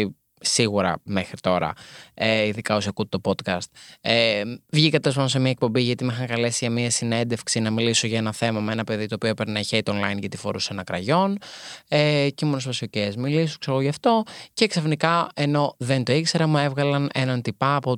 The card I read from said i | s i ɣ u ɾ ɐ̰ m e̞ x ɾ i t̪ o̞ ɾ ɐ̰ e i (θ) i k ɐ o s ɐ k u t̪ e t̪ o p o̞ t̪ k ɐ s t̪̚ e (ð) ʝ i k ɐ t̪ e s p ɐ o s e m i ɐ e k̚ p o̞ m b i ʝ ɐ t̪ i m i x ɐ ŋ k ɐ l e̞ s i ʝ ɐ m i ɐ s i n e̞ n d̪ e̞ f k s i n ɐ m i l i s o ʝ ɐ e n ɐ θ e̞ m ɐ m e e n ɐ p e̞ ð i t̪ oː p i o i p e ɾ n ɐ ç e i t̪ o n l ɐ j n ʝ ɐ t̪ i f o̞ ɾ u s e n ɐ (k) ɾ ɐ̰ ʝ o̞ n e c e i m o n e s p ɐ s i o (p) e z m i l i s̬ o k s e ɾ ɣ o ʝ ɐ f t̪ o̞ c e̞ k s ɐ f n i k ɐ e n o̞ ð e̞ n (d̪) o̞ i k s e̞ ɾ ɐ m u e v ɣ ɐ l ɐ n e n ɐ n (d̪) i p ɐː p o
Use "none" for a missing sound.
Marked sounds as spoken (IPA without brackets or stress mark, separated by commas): ð, v, k, c, t̪, t̪